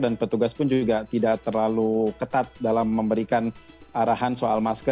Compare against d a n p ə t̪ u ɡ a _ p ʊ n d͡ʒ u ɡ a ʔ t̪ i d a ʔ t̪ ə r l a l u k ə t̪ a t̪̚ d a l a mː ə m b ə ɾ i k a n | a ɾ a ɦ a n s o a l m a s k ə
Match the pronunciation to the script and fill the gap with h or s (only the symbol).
s